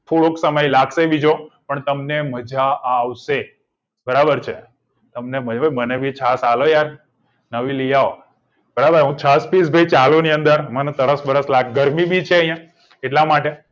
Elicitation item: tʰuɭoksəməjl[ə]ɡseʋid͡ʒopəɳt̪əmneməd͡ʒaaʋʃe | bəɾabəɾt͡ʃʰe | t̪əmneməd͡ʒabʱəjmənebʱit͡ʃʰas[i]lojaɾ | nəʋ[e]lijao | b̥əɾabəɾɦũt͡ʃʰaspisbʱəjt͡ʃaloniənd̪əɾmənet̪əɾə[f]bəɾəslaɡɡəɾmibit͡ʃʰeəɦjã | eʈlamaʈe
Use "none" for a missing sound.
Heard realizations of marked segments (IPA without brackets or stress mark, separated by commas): a, a, i, s